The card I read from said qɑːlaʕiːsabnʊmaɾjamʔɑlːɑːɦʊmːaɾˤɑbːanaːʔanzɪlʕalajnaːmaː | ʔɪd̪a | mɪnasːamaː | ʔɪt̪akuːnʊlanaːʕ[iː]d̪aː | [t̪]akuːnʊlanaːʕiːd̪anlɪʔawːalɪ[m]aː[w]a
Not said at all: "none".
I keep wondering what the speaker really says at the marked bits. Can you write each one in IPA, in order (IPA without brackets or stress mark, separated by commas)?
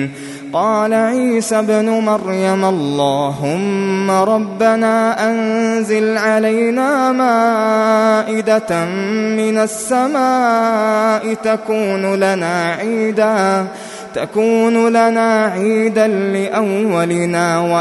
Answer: iː, t̪, n, w